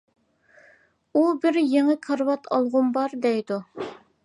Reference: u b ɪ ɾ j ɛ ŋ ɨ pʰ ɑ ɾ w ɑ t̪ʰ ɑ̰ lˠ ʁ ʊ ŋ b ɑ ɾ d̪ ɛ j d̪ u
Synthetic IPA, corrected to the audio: u b ɪ ɾ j e ŋ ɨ kʰ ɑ ɾ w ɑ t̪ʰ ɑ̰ lˠ ʁ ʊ m b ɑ ɾ d̪ ɛ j d̪ u